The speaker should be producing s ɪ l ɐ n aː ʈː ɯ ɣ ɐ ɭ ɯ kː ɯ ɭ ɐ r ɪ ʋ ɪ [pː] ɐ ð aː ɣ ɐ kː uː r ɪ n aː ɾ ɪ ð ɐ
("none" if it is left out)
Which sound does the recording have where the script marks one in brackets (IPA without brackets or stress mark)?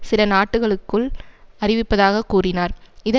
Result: pː